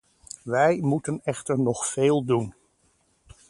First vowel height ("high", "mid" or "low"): mid